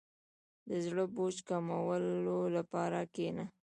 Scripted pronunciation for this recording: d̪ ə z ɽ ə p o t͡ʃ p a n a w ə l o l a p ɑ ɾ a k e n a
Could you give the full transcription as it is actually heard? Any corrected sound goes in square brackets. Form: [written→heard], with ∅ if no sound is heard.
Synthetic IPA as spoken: d̪ ə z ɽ ə [p→b] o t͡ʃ [p→k] a [n→m] a w ə l o l a p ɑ ɾ a k e n a